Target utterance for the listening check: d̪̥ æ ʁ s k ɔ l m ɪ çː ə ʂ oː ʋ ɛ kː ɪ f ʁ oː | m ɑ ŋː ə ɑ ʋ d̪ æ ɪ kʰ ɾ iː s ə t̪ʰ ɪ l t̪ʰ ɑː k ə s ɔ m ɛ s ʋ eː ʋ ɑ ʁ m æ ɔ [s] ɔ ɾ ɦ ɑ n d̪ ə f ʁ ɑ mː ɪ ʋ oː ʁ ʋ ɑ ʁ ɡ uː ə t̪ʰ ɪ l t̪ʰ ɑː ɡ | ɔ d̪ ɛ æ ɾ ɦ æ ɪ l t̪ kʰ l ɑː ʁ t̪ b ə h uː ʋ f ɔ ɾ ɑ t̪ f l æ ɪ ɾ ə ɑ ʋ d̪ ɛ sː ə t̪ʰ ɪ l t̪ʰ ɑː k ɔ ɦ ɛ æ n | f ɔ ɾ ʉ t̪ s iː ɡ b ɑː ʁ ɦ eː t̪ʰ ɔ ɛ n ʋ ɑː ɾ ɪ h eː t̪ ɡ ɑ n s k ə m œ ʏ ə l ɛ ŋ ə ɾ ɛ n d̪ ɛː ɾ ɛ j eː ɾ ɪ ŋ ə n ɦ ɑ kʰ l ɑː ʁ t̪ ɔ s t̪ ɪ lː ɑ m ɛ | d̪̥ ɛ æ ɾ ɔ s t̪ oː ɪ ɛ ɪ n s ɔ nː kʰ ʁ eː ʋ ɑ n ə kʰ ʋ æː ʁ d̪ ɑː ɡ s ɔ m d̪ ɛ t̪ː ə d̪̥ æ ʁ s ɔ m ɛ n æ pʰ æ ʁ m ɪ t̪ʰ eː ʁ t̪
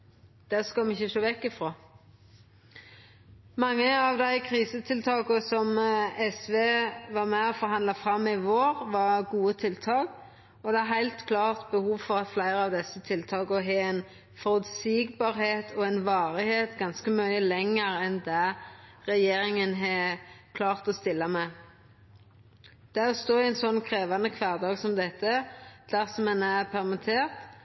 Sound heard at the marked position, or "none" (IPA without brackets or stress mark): f